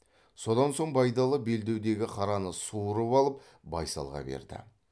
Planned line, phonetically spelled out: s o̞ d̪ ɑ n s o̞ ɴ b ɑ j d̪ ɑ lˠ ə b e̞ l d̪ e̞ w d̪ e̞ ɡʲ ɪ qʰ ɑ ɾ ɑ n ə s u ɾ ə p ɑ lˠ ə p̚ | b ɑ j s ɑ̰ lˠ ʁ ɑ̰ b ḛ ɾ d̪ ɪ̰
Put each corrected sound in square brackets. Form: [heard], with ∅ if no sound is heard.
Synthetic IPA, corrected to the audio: s o̞ d̪ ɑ n s o̞ ɴ b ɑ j d̪ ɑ lˠ ə b e̞ l d̪ e̞ w d̪ e̞ ɡʲ ɪ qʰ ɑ ɾ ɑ n ə s u ɾ ə p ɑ lˠ ə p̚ | b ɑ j s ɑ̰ lˠ ʁ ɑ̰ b ḛ ɾ d̪ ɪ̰